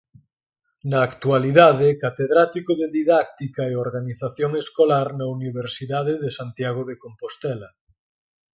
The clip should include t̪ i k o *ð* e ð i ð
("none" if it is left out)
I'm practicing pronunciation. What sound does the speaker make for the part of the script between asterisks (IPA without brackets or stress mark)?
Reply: ð